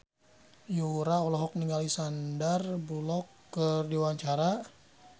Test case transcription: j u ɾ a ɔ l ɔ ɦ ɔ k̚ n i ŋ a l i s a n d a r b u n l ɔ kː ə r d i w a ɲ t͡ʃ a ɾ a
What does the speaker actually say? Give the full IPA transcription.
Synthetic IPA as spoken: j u ɾ a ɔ l ɔ ɦ ɔ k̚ n i ŋ a l i s a n d a r b u l ɔ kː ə r d i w a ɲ t͡ʃ a ɾ a